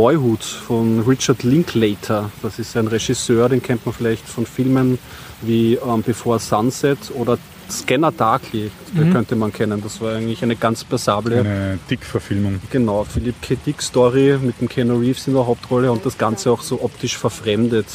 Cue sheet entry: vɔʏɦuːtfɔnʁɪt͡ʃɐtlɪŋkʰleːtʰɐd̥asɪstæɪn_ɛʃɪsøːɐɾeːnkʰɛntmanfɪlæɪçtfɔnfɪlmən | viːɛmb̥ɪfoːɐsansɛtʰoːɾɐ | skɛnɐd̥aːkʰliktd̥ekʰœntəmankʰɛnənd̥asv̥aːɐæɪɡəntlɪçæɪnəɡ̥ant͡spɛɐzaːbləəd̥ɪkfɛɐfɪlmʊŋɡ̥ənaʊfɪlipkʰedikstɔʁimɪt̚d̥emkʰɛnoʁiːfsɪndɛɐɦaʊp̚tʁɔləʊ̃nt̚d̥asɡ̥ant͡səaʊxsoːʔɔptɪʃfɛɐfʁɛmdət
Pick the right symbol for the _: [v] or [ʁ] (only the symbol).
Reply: ʁ